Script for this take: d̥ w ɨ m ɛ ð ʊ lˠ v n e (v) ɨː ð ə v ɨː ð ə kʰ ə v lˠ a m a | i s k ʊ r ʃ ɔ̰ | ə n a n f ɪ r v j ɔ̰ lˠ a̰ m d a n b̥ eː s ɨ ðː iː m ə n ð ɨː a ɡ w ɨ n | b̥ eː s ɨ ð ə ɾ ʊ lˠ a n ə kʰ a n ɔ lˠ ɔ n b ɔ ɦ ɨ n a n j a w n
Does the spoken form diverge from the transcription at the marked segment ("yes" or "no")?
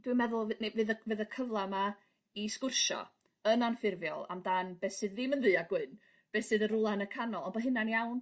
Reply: no